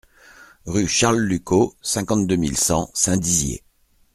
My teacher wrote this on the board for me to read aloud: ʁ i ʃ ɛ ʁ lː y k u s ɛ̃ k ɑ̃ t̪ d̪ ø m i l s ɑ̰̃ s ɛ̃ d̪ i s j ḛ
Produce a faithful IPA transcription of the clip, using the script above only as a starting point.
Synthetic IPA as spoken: ʁ y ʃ a ʁ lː y k o s ɛ̃ k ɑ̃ t̪ d̪ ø m i l s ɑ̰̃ s ɛ̃ d̪ i z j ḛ